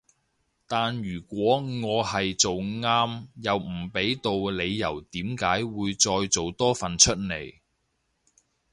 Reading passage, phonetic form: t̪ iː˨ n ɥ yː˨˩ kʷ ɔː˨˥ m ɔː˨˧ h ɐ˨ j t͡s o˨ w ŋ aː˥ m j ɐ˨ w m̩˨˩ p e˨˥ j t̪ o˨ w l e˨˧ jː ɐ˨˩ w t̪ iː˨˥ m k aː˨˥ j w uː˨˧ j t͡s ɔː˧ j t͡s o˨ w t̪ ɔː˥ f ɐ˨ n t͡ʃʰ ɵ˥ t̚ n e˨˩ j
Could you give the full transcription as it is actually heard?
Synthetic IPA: t̪ aː˨ n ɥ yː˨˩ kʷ ɔː˨˥ ŋ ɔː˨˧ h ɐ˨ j t͡s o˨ w ŋ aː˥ m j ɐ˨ w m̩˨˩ p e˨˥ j t̪ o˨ w l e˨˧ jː ɐ˨˩ w t̪ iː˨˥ m k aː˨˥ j w uː˨˧ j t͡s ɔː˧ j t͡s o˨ w t̪ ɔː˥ f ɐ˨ n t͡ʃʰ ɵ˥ t̚ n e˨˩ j